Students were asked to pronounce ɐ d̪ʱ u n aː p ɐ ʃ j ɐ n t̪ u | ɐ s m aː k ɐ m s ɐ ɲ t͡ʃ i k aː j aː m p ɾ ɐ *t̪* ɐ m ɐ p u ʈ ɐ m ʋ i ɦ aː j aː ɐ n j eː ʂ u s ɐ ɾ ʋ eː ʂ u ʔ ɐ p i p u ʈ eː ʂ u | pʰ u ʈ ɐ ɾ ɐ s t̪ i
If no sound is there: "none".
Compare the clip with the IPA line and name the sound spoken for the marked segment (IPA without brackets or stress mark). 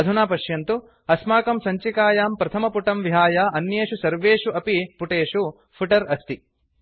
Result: t̪ʰ